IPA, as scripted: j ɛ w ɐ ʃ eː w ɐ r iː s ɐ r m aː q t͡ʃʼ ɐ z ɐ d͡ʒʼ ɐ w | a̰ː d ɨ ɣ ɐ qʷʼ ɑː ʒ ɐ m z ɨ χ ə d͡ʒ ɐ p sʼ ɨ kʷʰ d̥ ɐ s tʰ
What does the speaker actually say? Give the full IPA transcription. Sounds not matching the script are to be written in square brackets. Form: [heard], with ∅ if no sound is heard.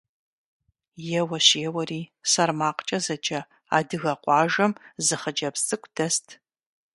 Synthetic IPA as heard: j ɛ w ɐ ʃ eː w ɐ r iː s ɐ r m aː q t͡ʃʼ ɐ z ɐ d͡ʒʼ ɐ [∅] | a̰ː d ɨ ɣ ɐ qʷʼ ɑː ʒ ɐ m z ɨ χ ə d͡ʒ ɐ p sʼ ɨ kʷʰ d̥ ɐ s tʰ